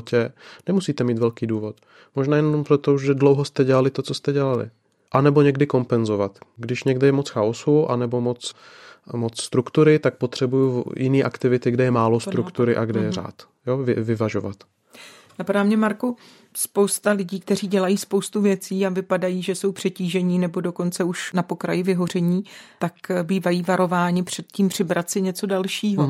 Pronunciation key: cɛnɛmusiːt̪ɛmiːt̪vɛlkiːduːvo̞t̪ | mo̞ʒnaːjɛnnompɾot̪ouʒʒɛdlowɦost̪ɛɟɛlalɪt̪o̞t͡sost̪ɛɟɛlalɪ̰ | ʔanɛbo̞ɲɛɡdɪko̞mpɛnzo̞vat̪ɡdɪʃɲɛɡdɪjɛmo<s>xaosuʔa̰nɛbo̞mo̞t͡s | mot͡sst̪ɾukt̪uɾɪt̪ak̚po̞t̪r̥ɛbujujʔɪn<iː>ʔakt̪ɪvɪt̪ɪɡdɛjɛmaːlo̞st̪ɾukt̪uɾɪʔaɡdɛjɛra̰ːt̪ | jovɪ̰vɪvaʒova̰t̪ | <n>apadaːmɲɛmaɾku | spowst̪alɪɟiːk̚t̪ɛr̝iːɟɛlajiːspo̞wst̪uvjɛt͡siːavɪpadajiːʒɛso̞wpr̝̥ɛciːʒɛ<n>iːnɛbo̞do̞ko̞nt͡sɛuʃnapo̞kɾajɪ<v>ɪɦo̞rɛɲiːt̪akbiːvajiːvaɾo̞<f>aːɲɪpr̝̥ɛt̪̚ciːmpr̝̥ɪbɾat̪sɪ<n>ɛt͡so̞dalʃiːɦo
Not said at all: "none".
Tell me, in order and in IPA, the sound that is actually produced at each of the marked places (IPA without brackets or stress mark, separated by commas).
t͡s, iː, n, ɲ, v, v, ɲ